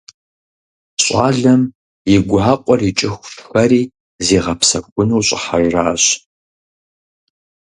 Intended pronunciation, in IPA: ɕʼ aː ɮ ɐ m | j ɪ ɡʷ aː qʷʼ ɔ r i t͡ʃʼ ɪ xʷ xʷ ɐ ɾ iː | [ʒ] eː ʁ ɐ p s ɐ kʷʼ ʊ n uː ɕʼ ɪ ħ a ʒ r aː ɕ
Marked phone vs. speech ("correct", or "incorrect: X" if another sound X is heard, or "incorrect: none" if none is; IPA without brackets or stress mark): incorrect: z